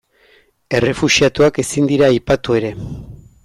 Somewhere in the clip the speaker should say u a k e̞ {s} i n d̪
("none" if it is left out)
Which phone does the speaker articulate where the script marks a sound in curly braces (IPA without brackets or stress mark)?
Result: s